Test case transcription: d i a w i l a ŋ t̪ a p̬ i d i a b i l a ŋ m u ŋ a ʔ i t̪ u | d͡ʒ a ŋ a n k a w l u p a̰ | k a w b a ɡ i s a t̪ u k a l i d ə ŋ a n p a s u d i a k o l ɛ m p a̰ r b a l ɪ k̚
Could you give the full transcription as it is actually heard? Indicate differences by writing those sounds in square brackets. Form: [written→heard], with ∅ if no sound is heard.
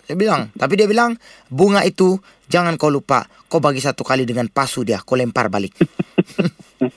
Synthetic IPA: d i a [w→b] i l a ŋ t̪ a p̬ i d i a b i l a ŋ [m→b] u ŋ a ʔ i t̪ u | d͡ʒ a ŋ a n k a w l u p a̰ | k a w b a ɡ i s a t̪ u k a l i d ə ŋ a n p a s u d i a k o l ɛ m p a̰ r b a l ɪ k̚